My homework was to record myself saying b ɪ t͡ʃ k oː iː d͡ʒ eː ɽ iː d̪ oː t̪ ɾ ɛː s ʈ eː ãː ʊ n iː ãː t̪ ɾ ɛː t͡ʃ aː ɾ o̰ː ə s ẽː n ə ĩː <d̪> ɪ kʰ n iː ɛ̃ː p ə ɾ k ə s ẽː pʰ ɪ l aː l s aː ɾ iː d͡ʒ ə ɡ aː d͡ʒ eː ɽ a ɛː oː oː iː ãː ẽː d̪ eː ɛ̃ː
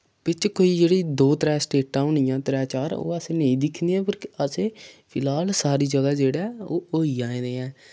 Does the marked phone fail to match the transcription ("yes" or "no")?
no